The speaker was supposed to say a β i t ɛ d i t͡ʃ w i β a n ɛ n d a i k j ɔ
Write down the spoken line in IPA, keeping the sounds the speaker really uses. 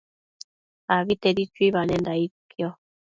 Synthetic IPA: a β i t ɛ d i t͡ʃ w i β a n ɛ n d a i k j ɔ